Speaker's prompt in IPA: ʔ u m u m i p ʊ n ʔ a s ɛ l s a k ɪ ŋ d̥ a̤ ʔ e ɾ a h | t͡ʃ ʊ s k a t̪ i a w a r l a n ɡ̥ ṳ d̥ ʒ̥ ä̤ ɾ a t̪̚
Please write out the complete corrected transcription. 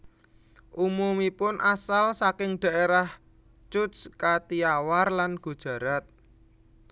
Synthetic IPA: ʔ u m u m i p ʊ n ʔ a s a l s a k ɪ ŋ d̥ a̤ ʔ e ɾ a h | t͡ʃ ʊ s k a t̪ i a w a r l a n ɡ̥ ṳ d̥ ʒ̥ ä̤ ɾ a t̪̚